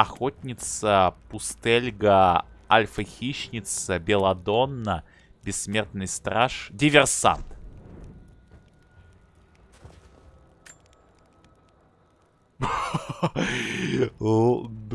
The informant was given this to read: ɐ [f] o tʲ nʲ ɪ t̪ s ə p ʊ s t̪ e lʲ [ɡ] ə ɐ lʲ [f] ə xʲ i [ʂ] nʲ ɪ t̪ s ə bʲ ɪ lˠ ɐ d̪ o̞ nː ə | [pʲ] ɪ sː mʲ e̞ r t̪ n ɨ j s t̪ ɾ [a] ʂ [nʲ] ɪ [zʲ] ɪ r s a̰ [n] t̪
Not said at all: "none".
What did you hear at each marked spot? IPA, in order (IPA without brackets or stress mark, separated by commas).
x, ɡ, f, ɕ, bʲ, a, dʲ, vʲ, n